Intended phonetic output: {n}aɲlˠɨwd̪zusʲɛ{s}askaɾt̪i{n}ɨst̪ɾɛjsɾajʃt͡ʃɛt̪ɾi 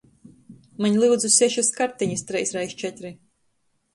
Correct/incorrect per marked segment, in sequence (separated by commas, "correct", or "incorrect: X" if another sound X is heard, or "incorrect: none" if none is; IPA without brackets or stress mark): incorrect: m, incorrect: ʃ, incorrect: ɲ